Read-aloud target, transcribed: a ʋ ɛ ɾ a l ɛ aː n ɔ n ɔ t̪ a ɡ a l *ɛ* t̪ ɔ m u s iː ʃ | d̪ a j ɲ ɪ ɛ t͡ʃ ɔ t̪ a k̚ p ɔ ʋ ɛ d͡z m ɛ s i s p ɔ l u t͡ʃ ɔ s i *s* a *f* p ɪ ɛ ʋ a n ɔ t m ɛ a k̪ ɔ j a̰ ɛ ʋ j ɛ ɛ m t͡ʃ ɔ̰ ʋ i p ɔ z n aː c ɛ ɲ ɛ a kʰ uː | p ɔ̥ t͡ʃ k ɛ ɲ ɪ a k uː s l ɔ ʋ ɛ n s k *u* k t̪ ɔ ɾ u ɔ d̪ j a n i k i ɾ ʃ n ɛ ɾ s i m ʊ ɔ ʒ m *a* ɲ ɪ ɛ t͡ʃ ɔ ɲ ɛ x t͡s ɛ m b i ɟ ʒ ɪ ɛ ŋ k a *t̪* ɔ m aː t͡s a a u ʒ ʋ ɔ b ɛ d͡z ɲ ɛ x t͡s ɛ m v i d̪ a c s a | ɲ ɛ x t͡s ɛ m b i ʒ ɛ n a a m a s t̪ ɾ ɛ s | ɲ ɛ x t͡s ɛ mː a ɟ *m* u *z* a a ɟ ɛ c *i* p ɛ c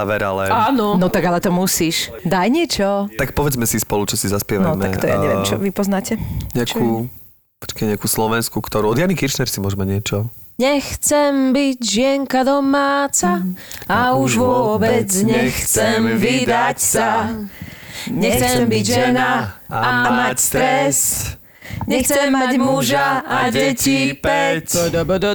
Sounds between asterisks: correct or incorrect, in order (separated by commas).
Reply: correct, incorrect, incorrect, correct, correct, incorrect, correct, incorrect, correct